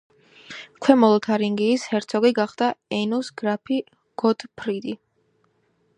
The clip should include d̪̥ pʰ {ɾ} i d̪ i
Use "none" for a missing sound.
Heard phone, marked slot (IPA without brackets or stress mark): ɾ